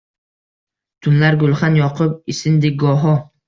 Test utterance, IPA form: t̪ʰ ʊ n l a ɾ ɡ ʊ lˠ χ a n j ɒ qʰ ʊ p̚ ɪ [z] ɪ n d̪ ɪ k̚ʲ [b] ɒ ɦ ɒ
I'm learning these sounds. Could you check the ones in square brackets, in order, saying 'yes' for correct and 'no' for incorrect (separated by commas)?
no, no